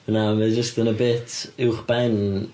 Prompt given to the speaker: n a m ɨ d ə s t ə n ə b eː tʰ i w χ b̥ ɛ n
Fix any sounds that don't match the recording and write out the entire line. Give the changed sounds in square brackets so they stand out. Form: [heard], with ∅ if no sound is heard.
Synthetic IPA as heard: n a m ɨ [d͡ʒ] ə s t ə n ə b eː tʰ [ɪ] w χ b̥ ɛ n